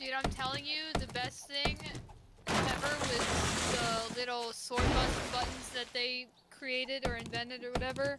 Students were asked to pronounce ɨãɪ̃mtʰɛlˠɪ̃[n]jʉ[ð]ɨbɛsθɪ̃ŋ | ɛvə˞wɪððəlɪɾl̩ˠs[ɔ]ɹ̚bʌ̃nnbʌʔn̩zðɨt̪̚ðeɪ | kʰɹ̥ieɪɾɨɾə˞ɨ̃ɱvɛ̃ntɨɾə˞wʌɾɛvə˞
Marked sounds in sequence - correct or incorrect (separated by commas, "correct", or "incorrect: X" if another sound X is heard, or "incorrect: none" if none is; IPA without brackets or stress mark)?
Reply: incorrect: ŋ, correct, correct